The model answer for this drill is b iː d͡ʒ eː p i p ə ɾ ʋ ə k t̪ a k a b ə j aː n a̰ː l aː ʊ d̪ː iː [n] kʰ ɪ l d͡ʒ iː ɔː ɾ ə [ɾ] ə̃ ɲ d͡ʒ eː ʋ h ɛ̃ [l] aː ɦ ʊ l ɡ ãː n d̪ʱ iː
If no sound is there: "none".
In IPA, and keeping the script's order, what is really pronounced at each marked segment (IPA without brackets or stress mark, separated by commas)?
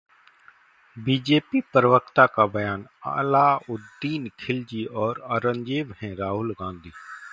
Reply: n, ɾ, ɾ